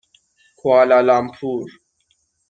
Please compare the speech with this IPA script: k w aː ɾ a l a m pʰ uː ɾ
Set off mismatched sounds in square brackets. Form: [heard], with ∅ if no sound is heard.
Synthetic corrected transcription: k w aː [l] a l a m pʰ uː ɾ

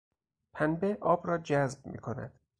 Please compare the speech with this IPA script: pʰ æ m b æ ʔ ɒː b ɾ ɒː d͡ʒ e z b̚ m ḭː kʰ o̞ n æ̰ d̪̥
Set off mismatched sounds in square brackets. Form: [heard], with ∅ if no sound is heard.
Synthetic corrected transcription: pʰ æ [n] b [e] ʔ ɒː b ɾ ɒː d͡ʒ [æ] z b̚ m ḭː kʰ o̞ n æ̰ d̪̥

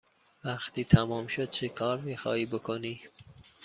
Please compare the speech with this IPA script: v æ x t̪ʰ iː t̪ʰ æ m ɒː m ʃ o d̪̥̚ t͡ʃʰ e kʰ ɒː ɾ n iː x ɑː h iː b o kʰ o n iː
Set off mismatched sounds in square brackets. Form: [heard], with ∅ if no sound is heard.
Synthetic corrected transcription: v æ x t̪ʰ iː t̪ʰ æ m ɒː m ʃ o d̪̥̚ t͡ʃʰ e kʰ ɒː ɾ [m] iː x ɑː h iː b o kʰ o n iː

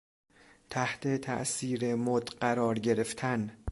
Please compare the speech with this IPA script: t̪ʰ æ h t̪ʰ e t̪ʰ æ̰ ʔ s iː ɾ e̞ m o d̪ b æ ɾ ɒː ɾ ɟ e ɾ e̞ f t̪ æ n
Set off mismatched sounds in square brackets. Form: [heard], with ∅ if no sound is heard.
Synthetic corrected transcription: t̪ʰ æ h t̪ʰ e t̪ʰ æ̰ ʔ s iː ɾ e̞ m o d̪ [ɢ] æ ɾ ɒː ɾ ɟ e ɾ e̞ f [t̪ʰ] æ n

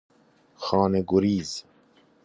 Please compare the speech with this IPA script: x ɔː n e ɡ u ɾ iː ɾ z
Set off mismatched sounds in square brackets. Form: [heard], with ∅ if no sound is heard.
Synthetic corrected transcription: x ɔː n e ɡ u ɾ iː [∅] z

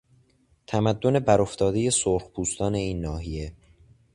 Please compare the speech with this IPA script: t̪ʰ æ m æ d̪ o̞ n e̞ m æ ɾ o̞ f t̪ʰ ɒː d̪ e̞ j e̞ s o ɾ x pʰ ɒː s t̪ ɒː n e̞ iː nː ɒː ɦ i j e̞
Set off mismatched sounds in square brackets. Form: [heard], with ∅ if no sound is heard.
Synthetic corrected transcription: t̪ʰ æ m æ [d̪ː] o̞ n e̞ [b] æ ɾ o̞ f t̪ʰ ɒː d̪ e̞ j e̞ s o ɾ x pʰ [uː] s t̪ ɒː n e̞ iː nː ɒː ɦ i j e̞

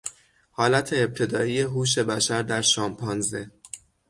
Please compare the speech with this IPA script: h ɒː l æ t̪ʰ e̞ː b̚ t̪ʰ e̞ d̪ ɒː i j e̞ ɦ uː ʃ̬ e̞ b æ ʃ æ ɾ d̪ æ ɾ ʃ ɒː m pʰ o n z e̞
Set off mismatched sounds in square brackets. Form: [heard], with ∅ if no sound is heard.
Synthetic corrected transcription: h ɒː l æ t̪ʰ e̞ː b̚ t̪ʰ e̞ d̪ ɒː i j e̞ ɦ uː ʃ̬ e̞ b æ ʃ æ ɾ d̪ æ ɾ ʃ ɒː m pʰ [ɒ] n z e̞

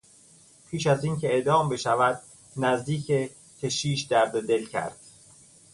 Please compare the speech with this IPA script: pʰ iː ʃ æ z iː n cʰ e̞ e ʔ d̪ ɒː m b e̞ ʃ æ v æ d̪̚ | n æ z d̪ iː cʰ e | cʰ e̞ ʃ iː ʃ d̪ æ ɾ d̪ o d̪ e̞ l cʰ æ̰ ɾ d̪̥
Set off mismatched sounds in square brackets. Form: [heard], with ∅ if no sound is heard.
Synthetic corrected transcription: pʰ iː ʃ æ z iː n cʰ e̞ e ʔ d̪ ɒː m b e̞ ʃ æ v æ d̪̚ | n æ z d̪ iː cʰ e | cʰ e̞ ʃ iː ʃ d̪ æ ɾ d̪ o d̪ e̞ l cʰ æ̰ ɾ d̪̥

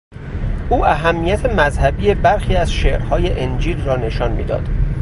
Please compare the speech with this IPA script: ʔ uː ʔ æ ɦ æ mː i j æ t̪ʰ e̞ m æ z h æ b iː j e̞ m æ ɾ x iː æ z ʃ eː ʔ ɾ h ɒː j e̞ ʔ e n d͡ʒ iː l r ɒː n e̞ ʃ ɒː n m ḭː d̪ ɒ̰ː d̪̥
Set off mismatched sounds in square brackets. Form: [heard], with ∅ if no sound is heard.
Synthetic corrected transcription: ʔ uː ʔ æ ɦ æ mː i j æ t̪ʰ e̞ m æ z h æ b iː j e̞ [b] æ ɾ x iː æ z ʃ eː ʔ ɾ h ɒː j e̞ ʔ e n d͡ʒ iː l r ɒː n e̞ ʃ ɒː n m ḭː d̪ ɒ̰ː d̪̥

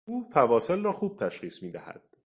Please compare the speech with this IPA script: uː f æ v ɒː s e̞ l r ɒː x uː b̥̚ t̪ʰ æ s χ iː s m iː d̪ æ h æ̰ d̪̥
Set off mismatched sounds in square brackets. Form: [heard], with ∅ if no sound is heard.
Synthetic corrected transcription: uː f æ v ɒː s e̞ l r ɒː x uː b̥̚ t̪ʰ æ [ʃ] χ iː s m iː d̪ æ h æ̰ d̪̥

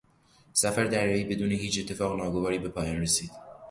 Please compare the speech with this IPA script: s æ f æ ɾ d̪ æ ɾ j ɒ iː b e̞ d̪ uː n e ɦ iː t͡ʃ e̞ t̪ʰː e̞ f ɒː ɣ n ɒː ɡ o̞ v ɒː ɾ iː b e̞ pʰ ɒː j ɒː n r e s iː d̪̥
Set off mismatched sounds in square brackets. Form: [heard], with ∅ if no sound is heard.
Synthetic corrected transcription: s æ f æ ɾ d̪ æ ɾ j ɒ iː b e̞ d̪ uː n e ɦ iː t͡ʃ e̞ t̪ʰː e̞ f ɒː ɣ n ɒː ɡ o̞ v ɒː ɾ iː b e̞ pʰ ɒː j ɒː n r e s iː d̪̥

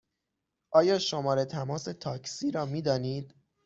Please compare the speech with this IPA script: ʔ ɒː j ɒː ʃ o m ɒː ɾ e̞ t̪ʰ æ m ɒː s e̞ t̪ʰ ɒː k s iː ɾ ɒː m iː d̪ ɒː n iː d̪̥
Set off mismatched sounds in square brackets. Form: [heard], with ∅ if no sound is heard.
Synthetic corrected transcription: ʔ ɒː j ɒː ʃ o m ɒː ɾ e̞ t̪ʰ æ m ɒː s e̞ t̪ʰ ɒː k s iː ɾ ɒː m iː d̪ ɒː n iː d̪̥

